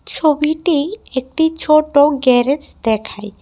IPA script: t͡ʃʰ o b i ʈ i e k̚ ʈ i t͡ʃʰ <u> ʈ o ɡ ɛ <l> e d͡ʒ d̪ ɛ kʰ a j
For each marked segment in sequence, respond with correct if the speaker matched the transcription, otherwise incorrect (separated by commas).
incorrect, incorrect